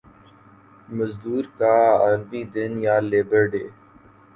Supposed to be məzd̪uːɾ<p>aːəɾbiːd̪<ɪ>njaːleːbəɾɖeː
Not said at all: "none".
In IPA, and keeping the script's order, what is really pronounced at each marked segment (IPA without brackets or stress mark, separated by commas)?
k, ɪ